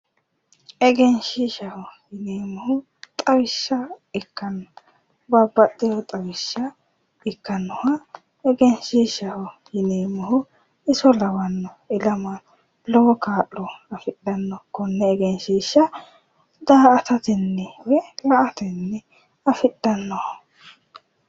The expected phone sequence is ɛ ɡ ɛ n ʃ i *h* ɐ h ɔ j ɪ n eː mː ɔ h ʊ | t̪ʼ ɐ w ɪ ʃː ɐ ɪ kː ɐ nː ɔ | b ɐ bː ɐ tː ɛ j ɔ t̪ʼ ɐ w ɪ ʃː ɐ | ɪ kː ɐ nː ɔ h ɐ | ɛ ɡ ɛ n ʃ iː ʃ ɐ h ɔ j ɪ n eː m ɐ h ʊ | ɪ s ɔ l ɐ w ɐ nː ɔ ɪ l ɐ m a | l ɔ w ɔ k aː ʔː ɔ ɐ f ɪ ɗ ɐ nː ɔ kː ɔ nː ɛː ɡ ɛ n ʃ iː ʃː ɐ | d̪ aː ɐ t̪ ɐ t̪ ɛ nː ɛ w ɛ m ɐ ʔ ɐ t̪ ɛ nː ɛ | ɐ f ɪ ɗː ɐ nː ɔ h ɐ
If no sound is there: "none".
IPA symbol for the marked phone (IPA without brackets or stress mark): ʃ